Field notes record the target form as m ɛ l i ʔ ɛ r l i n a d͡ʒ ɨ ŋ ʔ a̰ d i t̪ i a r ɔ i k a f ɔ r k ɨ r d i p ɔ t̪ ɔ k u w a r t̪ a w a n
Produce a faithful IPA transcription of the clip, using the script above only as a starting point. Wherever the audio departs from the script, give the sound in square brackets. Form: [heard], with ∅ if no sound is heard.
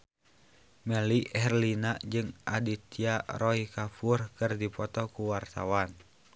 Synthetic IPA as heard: m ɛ l i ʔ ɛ r l i n a d͡ʒ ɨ ŋ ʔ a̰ d i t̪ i a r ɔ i k a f [u] r k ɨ r d i p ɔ t̪ ɔ k u w a r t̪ a w a n